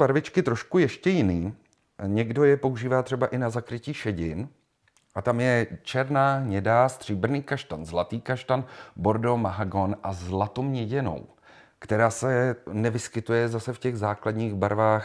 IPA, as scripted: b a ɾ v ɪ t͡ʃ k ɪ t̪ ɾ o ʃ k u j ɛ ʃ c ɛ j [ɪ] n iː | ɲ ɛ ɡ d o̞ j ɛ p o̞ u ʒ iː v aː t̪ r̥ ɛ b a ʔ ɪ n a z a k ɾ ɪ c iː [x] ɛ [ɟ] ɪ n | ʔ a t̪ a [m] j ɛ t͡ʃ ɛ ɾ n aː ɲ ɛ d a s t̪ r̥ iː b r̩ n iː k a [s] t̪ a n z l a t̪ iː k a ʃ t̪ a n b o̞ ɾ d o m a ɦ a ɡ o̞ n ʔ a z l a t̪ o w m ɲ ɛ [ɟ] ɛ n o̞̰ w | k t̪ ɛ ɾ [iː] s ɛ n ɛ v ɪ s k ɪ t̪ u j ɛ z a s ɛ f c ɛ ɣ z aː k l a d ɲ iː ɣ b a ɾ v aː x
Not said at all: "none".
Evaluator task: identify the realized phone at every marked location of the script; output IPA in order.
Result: ɪ, ʃ, ɟ, m, ʃ, ɟ, aː

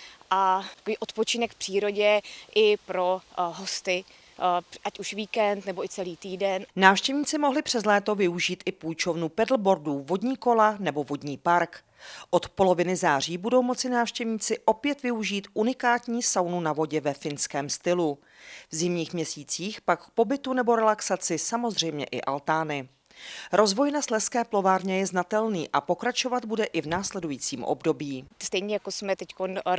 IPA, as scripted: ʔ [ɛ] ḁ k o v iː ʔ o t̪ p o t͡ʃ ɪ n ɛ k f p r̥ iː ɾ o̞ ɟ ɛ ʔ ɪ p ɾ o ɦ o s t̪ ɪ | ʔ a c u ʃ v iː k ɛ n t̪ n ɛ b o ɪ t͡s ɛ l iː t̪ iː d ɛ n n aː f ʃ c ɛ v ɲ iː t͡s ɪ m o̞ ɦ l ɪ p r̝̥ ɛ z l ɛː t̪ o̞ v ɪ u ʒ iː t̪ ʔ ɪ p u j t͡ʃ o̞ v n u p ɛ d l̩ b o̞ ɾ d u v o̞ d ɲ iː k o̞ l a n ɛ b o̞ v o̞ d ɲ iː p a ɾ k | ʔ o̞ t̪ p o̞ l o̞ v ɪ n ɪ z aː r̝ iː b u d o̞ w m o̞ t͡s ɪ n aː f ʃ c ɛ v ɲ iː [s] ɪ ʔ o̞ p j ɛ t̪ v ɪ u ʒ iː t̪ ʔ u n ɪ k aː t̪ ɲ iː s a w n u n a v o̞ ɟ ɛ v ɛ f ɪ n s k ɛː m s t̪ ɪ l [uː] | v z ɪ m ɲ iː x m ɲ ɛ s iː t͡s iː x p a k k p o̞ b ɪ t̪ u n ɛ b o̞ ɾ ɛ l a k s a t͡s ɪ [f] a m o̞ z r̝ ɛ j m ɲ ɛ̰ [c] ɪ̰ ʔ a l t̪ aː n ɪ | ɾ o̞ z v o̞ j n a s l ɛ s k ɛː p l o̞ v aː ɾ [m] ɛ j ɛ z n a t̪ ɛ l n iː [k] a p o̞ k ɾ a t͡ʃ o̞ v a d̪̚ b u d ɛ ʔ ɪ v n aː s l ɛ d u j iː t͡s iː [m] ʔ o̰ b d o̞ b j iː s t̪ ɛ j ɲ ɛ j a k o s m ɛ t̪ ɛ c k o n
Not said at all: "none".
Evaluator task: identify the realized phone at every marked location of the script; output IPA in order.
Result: a, t͡s, u, s, ʔ, ɲ, ʔ, m

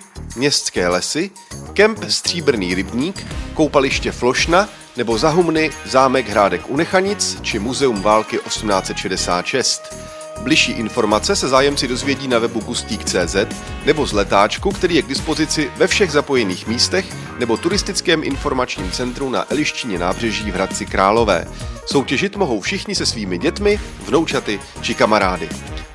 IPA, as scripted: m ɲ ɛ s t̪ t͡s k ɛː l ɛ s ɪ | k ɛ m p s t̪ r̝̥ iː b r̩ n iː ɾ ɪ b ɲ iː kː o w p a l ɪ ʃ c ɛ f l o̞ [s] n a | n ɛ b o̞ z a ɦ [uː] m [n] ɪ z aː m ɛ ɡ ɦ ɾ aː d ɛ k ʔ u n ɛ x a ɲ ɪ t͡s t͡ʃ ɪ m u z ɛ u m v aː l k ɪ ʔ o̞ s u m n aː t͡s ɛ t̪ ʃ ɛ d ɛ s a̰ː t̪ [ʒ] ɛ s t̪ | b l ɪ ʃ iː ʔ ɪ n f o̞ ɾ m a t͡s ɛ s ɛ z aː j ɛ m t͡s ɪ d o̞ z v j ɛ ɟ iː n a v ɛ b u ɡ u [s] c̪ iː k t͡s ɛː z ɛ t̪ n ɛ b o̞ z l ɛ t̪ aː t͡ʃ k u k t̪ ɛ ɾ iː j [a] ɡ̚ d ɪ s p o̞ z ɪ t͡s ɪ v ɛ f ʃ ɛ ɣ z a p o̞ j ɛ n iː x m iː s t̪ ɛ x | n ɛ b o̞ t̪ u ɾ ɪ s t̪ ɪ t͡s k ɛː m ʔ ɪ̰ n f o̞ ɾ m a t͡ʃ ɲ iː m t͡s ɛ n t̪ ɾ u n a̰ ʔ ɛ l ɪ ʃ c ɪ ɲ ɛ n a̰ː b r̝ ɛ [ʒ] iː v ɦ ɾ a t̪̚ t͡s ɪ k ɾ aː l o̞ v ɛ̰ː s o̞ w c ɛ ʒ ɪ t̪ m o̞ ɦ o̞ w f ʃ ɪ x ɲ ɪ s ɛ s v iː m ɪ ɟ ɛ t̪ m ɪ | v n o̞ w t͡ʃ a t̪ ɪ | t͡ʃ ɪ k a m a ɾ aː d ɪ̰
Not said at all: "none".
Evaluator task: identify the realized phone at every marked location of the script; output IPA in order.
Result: ʃ, u, n, ʃ, s, ɛ, ʒ

